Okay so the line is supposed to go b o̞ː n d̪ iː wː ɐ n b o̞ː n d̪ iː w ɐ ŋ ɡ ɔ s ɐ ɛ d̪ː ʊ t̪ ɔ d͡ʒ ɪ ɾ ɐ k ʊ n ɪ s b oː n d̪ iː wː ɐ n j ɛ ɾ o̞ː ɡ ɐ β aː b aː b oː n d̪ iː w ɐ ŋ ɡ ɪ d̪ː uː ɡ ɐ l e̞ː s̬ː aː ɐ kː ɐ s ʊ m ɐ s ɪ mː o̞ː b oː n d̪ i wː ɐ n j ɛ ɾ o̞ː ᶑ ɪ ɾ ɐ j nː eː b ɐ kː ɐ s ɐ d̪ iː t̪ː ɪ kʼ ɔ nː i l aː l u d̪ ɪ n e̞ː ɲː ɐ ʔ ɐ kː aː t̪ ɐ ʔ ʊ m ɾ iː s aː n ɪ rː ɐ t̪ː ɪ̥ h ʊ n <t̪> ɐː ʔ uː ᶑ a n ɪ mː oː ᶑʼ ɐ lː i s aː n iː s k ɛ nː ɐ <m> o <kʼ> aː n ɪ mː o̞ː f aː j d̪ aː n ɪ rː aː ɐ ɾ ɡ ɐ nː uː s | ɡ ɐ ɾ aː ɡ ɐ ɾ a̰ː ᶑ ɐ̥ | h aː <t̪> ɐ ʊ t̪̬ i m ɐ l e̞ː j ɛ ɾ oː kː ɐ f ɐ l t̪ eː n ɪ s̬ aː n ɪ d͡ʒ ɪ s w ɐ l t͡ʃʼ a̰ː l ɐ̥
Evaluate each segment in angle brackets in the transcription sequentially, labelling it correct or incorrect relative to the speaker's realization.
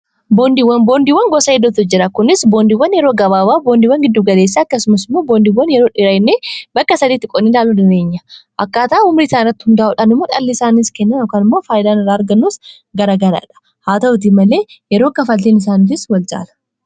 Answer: incorrect: d̪, incorrect: n, incorrect: k, correct

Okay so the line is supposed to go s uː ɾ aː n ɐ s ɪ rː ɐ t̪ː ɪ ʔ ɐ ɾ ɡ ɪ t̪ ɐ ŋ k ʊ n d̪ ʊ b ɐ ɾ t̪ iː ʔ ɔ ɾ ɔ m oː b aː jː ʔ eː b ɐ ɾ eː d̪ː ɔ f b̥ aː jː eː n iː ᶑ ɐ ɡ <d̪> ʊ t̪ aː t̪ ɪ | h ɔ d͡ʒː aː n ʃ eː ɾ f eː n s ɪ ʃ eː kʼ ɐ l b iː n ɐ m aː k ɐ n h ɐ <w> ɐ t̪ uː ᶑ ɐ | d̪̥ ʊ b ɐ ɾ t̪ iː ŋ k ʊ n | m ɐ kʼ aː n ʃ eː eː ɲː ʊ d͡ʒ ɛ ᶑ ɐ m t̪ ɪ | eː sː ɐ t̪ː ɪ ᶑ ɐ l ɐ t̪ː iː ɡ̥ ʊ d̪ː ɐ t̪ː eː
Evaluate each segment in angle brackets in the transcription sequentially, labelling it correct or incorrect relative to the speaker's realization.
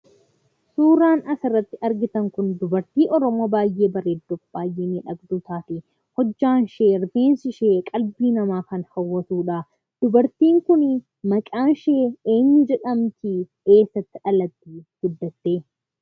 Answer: correct, incorrect: wː

